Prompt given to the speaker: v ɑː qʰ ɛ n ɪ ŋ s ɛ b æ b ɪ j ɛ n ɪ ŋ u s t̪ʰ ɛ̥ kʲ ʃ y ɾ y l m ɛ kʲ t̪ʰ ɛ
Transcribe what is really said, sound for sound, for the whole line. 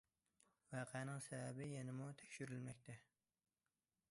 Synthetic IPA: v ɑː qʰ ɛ n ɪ ŋ s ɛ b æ b ɪ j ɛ n ɪ m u t̪ʰ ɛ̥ kʲ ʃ y ɾ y l m ɛ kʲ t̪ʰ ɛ